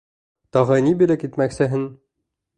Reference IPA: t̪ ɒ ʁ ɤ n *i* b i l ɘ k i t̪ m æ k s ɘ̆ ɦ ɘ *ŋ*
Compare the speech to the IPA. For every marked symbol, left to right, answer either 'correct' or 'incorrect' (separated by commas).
correct, incorrect